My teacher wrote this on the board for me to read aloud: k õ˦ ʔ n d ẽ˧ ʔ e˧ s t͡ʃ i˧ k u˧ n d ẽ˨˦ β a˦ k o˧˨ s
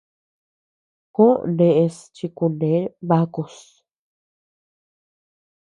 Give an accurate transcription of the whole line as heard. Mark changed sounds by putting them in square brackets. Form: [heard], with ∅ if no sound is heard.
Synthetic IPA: k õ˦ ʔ n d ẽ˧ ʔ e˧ s t͡ʃ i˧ k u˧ n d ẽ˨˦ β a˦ k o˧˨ s